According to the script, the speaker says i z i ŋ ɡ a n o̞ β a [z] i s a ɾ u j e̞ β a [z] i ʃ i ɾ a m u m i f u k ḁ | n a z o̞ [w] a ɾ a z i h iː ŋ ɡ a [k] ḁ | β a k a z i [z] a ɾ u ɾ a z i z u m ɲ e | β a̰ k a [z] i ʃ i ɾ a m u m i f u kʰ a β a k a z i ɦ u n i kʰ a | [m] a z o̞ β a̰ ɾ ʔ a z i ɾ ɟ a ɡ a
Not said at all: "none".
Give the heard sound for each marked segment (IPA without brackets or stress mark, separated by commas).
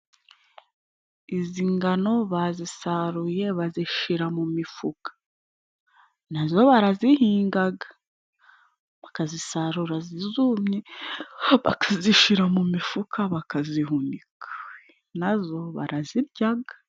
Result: z, z, β, ɡ, s, z, n